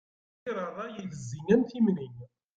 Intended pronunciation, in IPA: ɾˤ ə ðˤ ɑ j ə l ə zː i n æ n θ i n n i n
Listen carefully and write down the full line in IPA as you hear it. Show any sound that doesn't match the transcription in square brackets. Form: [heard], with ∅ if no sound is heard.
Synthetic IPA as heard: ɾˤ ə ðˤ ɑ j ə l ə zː i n æ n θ i [m] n i n